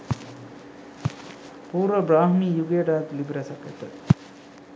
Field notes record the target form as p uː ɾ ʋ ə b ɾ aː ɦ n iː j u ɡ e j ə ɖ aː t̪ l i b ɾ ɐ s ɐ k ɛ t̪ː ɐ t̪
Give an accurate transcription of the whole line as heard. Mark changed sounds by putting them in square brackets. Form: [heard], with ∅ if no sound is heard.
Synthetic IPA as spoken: p uː ɾ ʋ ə b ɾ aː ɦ [m] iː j u ɡ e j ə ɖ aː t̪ l i b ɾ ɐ s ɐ k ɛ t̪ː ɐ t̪